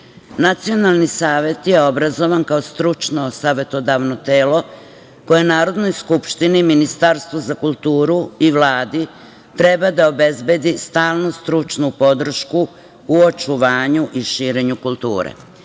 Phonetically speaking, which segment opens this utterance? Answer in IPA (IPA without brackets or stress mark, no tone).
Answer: n